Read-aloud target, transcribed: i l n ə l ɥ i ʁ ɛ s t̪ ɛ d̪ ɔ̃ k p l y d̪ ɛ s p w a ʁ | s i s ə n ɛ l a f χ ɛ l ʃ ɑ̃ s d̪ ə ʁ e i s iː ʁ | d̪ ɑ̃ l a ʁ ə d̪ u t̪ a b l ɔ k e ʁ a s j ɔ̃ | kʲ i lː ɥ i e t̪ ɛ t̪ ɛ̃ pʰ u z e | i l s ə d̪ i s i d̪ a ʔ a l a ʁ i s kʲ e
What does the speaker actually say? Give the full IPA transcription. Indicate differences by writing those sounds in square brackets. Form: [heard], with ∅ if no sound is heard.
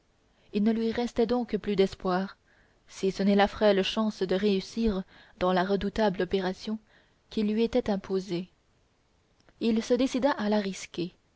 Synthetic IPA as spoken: i l n ə l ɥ i ʁ ɛ s t̪ ɛ d̪ ɔ̃ k p l y d̪ ɛ s p w a ʁ | s i s ə n ɛ l a f χ ɛ l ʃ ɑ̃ s d̪ ə ʁ e [y] s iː ʁ | d̪ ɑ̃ l a ʁ ə d̪ u t̪ a b l ɔ [p] e ʁ a s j ɔ̃ | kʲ i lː ɥ i e t̪ ɛ t̪ ɛ̃ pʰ [o] z e | i l s ə d̪ [e] s i d̪ a ʔ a l a ʁ i s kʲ e